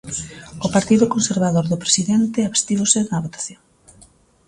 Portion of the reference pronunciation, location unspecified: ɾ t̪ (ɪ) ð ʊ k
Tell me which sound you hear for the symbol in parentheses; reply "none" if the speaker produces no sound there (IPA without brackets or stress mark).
i